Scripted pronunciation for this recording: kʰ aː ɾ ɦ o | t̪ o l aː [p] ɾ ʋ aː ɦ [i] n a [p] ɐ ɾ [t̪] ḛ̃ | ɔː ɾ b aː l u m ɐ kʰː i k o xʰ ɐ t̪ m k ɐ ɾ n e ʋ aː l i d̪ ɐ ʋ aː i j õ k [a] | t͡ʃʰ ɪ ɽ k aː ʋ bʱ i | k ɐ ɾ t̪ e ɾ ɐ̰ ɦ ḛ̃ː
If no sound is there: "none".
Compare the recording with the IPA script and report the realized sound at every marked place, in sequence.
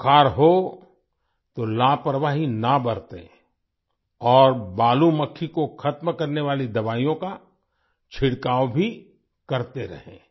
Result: p, i, b, t̪, a

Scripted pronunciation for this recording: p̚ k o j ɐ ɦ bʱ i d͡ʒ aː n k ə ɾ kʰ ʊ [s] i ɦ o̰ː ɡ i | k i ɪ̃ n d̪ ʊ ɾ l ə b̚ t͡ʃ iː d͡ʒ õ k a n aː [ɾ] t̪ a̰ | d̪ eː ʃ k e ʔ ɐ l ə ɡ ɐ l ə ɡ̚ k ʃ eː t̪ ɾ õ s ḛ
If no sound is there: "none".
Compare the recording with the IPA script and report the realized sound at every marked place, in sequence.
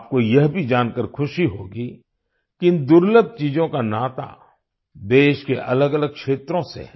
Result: ʃ, none

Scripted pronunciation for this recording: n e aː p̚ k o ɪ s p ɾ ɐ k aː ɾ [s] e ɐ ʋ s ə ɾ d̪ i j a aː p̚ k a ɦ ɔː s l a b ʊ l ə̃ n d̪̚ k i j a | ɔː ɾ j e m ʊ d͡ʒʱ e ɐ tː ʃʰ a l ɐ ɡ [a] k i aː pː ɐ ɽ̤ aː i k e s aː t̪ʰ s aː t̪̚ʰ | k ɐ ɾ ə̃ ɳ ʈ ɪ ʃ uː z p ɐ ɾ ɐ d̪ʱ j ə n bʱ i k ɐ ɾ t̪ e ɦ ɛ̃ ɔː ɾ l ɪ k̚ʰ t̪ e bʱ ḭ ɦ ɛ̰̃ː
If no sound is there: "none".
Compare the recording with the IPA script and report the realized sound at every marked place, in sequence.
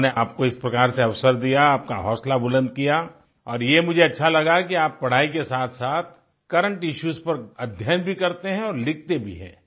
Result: s, a

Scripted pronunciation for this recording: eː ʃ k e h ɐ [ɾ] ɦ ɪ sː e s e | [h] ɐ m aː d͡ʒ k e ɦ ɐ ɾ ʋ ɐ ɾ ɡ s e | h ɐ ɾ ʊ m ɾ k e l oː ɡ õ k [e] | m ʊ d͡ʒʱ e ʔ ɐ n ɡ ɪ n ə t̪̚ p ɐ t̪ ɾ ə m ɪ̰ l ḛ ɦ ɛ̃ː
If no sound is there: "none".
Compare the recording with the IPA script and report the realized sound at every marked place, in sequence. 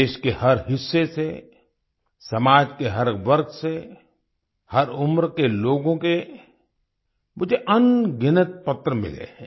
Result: ɾ, s, e

